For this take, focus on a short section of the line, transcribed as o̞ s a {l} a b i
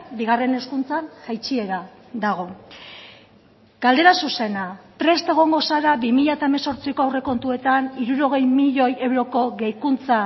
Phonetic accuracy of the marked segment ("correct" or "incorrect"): incorrect